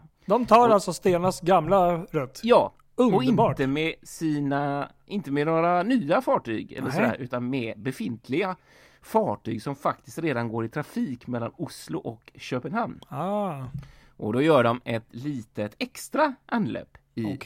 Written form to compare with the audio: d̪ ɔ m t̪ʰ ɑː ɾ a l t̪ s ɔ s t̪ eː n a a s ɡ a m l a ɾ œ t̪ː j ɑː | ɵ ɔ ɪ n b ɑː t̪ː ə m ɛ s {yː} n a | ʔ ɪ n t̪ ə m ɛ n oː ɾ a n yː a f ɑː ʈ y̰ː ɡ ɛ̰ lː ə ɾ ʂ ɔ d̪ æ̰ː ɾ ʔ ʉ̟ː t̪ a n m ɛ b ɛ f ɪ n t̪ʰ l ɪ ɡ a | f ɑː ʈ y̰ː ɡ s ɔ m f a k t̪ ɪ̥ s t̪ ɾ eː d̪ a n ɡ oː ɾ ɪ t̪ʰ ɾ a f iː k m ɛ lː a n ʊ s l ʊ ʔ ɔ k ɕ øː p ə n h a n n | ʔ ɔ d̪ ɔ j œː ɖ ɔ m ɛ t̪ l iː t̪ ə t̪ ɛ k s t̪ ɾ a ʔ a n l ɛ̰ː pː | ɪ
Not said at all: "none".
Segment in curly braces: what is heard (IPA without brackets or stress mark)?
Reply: iː